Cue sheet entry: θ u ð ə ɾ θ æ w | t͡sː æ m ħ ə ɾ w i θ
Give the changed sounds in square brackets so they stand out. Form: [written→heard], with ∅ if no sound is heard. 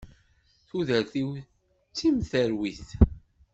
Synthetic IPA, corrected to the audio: θ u ð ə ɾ θ [æ→i] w | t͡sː [æ→i] m [ħ→θ] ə ɾ w i θ